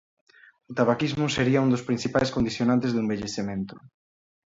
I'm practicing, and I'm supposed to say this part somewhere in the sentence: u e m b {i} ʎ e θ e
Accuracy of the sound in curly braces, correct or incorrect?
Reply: incorrect